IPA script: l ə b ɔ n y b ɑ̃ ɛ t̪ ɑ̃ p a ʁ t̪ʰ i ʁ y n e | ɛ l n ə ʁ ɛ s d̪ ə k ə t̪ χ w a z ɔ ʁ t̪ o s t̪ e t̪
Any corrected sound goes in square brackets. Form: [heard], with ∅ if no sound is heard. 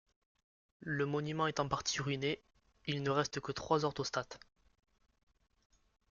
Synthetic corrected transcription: l ə [m] ɔ n y [m] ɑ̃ ɛ t̪ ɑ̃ p a ʁ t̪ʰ i ʁ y n e | [i] l n ə ʁ ɛ s [t̪] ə k ə t̪ χ w a z ɔ ʁ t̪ o s t̪ [a] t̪